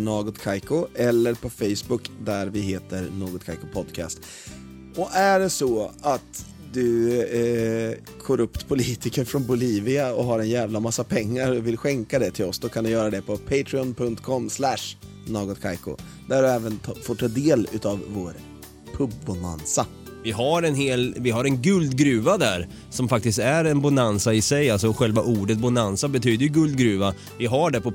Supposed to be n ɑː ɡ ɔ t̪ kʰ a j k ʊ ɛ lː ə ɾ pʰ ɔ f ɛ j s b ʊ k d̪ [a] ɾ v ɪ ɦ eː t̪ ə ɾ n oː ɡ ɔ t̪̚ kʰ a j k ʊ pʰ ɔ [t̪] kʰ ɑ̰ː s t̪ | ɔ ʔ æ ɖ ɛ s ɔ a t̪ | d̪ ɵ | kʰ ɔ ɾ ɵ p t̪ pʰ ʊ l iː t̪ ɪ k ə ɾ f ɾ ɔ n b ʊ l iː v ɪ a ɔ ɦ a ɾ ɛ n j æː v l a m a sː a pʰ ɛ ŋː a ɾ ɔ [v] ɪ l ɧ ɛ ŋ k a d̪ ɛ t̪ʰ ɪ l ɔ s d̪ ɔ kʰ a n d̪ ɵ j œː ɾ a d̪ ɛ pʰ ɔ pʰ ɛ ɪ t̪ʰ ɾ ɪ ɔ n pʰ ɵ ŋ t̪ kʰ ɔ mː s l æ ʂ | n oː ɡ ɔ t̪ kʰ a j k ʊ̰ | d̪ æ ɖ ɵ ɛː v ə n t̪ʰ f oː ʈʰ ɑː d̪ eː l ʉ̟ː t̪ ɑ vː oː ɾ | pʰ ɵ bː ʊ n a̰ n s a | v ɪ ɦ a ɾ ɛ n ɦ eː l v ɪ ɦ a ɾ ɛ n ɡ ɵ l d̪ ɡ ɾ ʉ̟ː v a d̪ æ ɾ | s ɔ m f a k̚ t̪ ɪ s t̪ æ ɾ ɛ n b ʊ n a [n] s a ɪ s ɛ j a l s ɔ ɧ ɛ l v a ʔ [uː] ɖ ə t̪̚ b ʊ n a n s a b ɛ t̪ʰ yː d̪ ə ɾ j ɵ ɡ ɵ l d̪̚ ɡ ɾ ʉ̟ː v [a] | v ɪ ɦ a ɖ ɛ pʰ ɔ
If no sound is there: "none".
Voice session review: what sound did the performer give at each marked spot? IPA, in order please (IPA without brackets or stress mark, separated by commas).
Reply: æ, d̪, v, n, uː, a